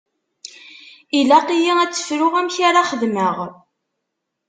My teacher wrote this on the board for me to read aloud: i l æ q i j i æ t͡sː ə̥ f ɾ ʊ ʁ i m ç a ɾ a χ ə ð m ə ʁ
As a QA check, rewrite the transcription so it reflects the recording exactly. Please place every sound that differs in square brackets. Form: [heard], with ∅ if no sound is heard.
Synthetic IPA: i l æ q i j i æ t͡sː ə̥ f ɾ ʊ ʁ [æ] m ç a ɾ a χ ə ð m ə ʁ